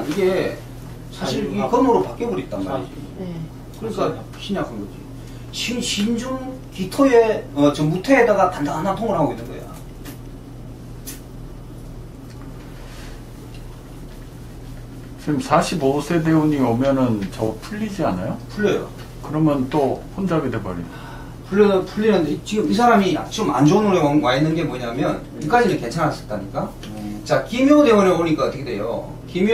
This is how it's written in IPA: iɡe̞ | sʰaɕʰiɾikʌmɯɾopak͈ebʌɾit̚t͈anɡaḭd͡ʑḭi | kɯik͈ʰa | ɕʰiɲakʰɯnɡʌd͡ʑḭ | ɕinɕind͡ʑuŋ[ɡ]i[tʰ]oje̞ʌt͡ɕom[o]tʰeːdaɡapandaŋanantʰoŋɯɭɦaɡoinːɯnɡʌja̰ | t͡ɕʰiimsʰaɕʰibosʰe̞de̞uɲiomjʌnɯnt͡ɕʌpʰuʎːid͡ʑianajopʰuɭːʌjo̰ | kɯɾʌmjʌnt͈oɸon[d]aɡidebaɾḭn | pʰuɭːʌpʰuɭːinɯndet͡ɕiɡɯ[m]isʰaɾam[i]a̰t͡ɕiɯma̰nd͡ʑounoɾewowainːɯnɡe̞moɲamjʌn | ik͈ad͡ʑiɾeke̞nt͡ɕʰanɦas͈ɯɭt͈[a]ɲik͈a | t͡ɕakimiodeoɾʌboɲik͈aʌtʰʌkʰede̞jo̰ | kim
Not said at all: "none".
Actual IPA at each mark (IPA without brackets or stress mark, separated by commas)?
k, tʰ, u, d͡ʑ, m, i, a